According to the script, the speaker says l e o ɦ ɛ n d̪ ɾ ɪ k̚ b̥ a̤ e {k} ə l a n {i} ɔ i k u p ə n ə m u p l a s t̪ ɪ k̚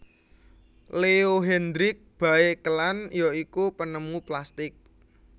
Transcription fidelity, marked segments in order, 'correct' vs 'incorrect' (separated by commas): correct, incorrect